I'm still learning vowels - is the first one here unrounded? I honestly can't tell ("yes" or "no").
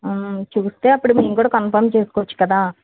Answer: no